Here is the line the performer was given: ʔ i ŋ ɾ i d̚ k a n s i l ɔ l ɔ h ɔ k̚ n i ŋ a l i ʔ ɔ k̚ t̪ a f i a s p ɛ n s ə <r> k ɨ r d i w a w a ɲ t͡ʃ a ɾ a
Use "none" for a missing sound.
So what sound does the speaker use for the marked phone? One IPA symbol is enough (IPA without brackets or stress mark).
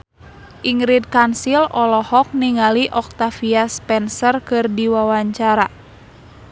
r